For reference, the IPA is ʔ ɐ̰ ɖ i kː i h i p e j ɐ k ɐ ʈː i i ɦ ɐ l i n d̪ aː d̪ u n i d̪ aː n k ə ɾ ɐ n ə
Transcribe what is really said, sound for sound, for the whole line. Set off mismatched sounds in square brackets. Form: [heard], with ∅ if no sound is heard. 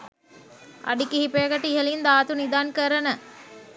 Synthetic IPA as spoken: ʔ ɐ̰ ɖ i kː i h i p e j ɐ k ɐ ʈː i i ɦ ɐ l i n d̪ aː [t̪] u n i d̪ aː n k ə ɾ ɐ n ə